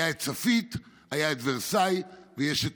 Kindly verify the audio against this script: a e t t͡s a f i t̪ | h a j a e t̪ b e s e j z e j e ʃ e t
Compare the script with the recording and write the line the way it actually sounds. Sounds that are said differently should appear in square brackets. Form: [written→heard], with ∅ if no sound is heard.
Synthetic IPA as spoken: a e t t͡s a f i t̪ | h a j a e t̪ [b→v] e s [e→a] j [z→v] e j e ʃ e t